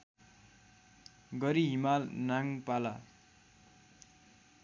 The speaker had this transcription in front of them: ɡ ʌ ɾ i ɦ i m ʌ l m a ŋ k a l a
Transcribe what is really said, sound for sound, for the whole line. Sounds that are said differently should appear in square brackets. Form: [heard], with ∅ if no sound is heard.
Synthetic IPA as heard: ɡ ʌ ɾ i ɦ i m [a] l [n] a ŋ [p] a l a